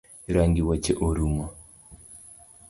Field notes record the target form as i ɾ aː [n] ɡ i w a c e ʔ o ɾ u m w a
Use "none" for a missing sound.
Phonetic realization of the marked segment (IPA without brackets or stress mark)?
ŋ